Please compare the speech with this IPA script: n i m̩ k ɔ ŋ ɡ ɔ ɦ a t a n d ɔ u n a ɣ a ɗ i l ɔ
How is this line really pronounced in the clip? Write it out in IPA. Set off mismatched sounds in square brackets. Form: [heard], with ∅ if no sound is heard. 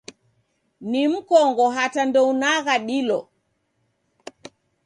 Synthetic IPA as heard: n i m̩ k ɔ ŋ ɡ ɔ ɦ a t a n d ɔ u n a ɣ a ɗ i l ɔ